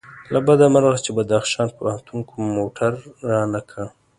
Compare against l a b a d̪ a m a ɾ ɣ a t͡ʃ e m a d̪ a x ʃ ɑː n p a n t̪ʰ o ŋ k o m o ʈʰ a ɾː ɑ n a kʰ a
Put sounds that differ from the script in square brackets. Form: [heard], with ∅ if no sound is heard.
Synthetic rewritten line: l a b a d̪ a m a ɾ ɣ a t͡ʃ e [b] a d̪ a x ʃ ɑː n p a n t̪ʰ [u] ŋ k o m o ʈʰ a ɾː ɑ n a kʰ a